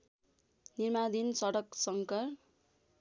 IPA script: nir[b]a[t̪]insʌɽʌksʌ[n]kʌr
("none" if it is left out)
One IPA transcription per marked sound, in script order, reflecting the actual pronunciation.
m, d̪, ŋ

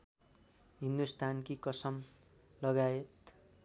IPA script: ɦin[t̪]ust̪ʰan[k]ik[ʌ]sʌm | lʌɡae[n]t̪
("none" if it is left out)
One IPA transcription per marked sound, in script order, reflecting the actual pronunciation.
d̪, k, ʌ, none

